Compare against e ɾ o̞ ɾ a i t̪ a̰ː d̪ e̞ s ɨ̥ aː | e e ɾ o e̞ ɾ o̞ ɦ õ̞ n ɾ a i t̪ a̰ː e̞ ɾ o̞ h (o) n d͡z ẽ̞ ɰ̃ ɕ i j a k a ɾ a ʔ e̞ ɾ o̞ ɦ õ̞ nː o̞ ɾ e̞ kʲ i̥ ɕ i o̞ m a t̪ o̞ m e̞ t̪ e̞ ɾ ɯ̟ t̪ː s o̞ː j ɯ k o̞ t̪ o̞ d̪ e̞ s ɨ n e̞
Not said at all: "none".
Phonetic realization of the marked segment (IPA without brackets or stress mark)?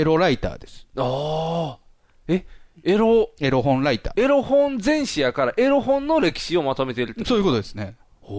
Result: õ